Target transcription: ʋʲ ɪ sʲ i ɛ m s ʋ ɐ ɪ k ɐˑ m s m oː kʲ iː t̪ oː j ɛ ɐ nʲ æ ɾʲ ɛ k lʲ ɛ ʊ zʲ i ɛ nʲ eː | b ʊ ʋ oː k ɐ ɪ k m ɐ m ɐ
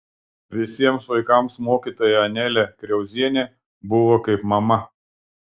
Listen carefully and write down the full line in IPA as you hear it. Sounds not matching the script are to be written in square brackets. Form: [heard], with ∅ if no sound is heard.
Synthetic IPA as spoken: ʋʲ ɪ sʲ i ɛ m s ʋ ɐ ɪ k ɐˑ m s m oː kʲ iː t̪ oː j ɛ ɐ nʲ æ [lʲ] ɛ k [ɾʲ] ɛ ʊ zʲ i ɛ nʲ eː | b ʊ ʋ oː k ɐ ɪ [p] m ɐ m ɐ

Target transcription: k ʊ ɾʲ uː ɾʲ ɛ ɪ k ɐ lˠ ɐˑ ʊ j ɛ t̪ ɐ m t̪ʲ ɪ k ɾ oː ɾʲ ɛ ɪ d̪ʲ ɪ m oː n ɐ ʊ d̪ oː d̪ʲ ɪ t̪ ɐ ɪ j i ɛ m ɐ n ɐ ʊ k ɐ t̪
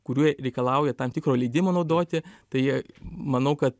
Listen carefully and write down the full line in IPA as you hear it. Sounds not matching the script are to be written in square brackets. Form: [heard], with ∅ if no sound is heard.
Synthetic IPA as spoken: k ʊ ɾʲ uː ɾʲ ɛ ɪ k ɐ lˠ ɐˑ ʊ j ɛ t̪ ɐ m t̪ʲ ɪ k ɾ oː [lʲ] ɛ ɪ d̪ʲ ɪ m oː n ɐ ʊ d̪ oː [t̪ʲ] ɪ t̪ ɐ ɪ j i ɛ m ɐ n ɐ ʊ k ɐ t̪

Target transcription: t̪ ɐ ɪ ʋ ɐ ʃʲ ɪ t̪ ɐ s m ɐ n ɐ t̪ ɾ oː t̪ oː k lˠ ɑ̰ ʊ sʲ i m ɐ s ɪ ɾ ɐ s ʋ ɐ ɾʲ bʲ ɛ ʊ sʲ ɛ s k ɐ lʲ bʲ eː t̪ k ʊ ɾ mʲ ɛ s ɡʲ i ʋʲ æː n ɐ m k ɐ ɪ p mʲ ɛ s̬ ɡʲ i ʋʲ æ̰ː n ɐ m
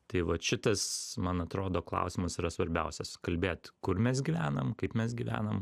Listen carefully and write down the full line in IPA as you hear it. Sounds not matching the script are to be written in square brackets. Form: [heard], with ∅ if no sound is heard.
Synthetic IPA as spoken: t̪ ɐ ɪ ʋ ɐ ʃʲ ɪ t̪ ɐ s m ɐ n ɐ t̪ ɾ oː [d̪] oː k lˠ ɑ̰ ʊ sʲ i m ɐ s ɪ ɾ ɐ s ʋ ɐ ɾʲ bʲ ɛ ʊ sʲ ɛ s k ɐ lʲ bʲ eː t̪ k ʊ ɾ mʲ ɛ s ɡʲ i ʋʲ æː n ɐ m k ɐ ɪ p mʲ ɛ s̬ ɡʲ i ʋʲ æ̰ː n ɐ m

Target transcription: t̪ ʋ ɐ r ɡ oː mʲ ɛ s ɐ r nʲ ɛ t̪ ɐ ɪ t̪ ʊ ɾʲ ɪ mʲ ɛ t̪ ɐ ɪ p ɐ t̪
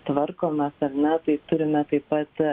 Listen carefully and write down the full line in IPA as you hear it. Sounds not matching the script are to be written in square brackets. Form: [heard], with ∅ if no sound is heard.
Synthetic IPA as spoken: t̪ ʋ ɐ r [k] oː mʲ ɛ s ɐ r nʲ ɛ t̪ ɐ ɪ t̪ ʊ ɾʲ ɪ mʲ ɛ t̪ ɐ ɪ p ɐ t̪

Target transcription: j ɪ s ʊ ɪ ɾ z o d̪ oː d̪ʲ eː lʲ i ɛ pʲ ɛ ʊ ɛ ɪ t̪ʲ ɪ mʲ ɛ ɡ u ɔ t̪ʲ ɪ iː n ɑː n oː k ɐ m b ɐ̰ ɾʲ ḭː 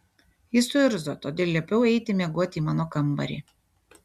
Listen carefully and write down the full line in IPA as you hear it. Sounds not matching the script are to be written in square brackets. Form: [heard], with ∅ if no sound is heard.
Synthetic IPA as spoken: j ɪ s ʊ ɪ ɾ z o [t̪] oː d̪ʲ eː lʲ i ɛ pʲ ɛ ʊ ɛ ɪ t̪ʲ ɪ mʲ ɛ ɡ u ɔ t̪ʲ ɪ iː [m] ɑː n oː k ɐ m b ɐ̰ ɾʲ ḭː

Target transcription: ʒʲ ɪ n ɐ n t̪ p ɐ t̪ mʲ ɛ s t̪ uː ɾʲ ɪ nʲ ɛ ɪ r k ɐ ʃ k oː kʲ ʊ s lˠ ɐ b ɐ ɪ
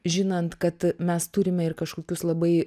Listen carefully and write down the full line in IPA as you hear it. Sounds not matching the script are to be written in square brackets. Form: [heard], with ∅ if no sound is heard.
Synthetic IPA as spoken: ʒʲ ɪ n ɐ n t̪ [k] ɐ t̪ mʲ ɛ s t̪ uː ɾʲ ɪ [mʲ] ɛ ɪ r k ɐ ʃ k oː kʲ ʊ s lˠ ɐ b ɐ ɪ

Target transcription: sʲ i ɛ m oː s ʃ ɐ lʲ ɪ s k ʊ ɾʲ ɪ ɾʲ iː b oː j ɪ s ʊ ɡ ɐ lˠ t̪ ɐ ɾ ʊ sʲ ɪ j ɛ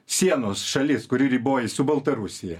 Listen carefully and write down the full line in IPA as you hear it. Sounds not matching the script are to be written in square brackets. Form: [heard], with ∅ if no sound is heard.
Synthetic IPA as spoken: sʲ i ɛ [n] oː s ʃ ɐ lʲ ɪ s k ʊ ɾʲ ɪ ɾʲ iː b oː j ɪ s ʊ [b] ɐ lˠ t̪ ɐ ɾ ʊ sʲ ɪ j ɛ

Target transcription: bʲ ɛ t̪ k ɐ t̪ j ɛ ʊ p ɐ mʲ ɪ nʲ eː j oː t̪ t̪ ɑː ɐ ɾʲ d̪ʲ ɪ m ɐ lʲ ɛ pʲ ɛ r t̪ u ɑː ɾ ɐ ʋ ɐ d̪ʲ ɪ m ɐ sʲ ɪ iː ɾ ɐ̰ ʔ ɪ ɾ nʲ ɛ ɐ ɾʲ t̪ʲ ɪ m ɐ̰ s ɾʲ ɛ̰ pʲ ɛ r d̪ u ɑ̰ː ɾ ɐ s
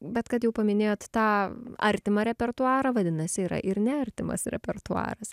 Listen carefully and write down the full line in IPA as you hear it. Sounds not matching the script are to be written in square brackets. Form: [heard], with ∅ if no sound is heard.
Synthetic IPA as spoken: bʲ ɛ t̪ k ɐ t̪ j ɛ ʊ p ɐ mʲ ɪ nʲ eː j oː t̪ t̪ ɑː ɐ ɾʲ [t̪ʲ] ɪ m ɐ [ɾʲ] ɛ pʲ ɛ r t̪ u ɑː ɾ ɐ ʋ ɐ d̪ʲ ɪ [n] ɐ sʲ ɪ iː ɾ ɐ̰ ʔ ɪ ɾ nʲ ɛ ɐ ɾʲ t̪ʲ ɪ m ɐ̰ s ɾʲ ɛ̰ pʲ ɛ r [t̪] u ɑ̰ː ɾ ɐ s

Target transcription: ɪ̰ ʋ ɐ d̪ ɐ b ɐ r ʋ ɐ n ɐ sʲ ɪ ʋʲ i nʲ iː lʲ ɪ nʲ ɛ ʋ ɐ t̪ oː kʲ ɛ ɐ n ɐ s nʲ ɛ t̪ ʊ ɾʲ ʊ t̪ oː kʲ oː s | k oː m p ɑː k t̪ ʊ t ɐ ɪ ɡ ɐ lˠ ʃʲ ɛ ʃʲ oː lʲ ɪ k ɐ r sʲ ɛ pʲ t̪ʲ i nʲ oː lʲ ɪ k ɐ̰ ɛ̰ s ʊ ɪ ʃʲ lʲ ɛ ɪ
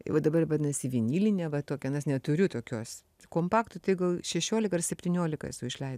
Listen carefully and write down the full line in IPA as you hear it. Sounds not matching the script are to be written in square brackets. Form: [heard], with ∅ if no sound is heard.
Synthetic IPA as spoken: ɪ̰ ʋ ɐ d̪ ɐ b ɐ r ʋ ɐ n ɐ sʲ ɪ ʋʲ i nʲ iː lʲ ɪ nʲ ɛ ʋ ɐ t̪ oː kʲ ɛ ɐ n ɐ s nʲ ɛ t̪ ʊ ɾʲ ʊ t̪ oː kʲ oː s | k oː m p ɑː k t̪ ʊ t ɐ ɪ ɡ ɐ lˠ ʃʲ ɛ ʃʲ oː lʲ ɪ k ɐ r sʲ ɛ pʲ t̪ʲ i nʲ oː lʲ ɪ k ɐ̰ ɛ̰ s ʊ ɪ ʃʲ lʲ ɛ ɪ

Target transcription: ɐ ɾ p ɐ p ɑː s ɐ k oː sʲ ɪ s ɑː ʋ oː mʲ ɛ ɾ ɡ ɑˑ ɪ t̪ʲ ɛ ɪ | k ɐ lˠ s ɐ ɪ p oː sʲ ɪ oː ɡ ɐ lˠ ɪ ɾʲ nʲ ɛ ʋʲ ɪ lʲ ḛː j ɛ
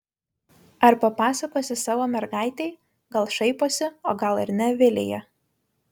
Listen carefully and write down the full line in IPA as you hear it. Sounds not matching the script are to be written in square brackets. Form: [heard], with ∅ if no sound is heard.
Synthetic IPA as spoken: ɐ ɾ p ɐ p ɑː s ɐ k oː sʲ ɪ s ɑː ʋ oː mʲ ɛ ɾ ɡ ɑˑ ɪ t̪ʲ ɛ ɪ | [ɡ] ɐ lˠ [ʃ] ɐ ɪ p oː sʲ ɪ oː ɡ ɐ lˠ ɪ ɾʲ nʲ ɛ ʋʲ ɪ lʲ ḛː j ɛ

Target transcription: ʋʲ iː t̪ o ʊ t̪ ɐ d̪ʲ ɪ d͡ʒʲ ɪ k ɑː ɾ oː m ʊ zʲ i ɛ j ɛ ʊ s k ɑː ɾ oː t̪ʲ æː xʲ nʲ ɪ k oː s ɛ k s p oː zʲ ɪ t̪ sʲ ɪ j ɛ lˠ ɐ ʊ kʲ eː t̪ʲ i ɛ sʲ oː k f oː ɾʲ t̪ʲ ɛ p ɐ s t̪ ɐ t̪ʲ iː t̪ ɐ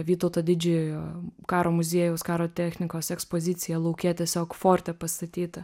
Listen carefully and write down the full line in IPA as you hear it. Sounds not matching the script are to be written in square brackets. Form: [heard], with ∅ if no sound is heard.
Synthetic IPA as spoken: ʋʲ iː t̪ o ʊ t̪ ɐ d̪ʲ ɪ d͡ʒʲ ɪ k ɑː ɾ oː m ʊ zʲ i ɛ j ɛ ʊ s k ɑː ɾ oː t̪ʲ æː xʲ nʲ ɪ k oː s ɛ k s p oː zʲ ɪ t̪ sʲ ɪ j ɛ lˠ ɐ ʊ kʲ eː t̪ʲ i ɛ sʲ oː k f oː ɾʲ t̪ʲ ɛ p ɐ s t̪ ɐ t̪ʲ iː t̪ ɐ

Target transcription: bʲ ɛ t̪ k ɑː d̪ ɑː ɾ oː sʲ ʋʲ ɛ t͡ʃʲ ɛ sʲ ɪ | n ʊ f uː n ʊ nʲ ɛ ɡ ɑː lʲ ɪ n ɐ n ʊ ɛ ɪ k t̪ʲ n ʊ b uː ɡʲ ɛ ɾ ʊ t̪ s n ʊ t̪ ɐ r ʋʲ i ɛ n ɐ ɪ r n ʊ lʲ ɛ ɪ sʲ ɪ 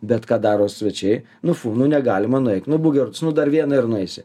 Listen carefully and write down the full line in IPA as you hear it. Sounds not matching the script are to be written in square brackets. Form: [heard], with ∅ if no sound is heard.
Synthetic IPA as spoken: bʲ ɛ t̪ k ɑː d̪ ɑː ɾ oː sʲ ʋʲ ɛ t͡ʃʲ ɛ [∅] ɪ | n ʊ f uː n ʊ nʲ ɛ ɡ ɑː lʲ ɪ [m] ɐ n ʊ ɛ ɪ k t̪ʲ n ʊ b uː ɡʲ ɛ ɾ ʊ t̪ s n ʊ [d̪] ɐ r ʋʲ i ɛ n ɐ ɪ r n ʊ [∅] ɛ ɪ sʲ ɪ

